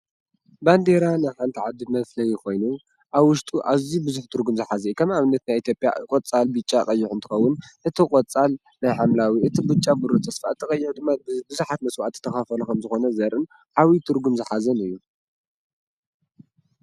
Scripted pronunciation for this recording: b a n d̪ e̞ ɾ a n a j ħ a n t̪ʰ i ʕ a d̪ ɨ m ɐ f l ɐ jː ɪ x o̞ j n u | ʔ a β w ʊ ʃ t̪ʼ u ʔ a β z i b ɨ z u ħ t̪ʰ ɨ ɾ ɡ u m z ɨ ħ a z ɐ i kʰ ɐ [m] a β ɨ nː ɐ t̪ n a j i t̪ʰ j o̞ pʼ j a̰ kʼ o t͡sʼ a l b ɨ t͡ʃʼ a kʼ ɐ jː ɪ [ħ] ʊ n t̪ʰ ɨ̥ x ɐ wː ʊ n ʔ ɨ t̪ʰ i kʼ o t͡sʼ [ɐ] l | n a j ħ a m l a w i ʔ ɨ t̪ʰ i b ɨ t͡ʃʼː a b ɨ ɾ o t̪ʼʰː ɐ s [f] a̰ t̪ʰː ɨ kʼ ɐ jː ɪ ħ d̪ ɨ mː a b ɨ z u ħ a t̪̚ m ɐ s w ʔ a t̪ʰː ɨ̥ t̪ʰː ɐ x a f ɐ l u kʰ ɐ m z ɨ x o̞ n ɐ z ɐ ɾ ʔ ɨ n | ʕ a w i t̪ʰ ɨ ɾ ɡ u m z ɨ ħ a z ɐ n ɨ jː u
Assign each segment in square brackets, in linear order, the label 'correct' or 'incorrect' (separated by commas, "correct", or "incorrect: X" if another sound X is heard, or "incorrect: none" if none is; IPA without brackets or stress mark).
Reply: correct, correct, incorrect: a, correct